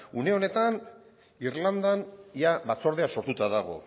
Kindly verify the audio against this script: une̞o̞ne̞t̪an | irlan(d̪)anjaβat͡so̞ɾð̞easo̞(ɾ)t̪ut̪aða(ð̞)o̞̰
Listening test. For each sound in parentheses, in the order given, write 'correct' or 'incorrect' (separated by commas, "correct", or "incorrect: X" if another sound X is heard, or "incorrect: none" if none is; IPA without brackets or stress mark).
correct, correct, incorrect: ɣ̞